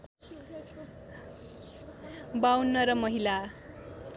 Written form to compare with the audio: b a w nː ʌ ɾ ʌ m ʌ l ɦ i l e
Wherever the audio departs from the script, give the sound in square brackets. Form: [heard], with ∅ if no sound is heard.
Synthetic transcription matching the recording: b a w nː ʌ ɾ ʌ m ʌ [∅] ɦ i l [a]